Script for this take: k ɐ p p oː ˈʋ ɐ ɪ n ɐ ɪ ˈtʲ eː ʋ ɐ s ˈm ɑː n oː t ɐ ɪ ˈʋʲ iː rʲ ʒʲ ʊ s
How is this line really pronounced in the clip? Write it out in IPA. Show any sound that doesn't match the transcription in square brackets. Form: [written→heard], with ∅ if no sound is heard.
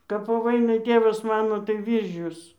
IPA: k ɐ p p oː ˈʋ ɐ ɪ n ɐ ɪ ˈtʲ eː ʋ ɐ s ˈm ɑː n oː t ɐ ɪ ˈʋʲ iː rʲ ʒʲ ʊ s